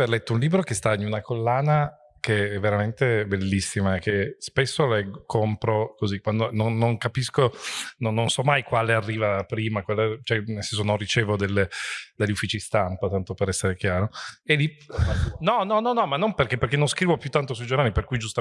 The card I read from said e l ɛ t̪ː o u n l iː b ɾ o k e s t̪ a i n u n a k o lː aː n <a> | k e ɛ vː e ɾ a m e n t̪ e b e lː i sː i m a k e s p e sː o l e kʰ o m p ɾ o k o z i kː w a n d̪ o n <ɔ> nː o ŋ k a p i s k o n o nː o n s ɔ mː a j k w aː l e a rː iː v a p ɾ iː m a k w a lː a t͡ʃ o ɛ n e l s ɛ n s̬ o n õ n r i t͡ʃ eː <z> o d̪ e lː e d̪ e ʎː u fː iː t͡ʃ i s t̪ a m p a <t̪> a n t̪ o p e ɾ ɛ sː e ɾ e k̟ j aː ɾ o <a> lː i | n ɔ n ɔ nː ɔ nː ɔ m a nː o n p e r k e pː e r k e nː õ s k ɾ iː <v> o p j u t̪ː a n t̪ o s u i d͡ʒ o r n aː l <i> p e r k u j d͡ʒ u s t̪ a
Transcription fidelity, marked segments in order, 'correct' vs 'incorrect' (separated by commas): correct, incorrect, incorrect, correct, incorrect, correct, correct